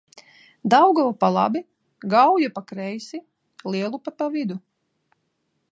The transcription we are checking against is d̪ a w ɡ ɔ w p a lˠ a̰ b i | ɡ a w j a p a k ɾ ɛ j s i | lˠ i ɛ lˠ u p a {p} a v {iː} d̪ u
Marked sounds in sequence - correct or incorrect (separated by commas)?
correct, incorrect